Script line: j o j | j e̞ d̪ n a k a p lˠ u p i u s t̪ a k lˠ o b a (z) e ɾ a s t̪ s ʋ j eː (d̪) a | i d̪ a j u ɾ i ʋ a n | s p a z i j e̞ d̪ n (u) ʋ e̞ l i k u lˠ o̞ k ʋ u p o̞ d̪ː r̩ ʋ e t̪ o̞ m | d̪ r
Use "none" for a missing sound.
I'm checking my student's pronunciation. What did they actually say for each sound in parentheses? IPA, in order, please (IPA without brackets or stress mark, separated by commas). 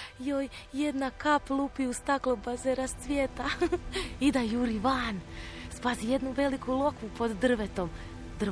z, t̪, u